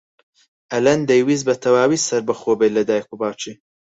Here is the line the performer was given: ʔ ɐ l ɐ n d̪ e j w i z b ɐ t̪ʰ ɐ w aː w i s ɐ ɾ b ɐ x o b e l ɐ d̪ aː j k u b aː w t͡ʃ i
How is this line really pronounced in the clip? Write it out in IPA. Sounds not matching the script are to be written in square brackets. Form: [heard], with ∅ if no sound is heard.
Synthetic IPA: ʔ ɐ l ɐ n d̪ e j w i z b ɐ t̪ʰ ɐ w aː w i s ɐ ɾ b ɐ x o b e l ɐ d̪ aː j k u b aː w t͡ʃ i